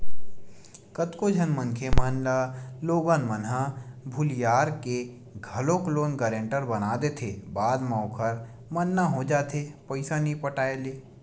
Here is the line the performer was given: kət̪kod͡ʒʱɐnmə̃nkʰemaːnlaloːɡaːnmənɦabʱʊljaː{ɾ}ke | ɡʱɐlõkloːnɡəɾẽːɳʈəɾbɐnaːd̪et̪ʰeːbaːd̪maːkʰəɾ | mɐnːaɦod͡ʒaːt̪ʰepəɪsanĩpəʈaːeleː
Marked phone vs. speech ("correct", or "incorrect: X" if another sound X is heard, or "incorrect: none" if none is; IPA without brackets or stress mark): correct